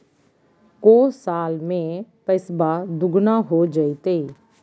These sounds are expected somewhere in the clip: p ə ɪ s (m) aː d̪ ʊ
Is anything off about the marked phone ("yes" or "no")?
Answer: yes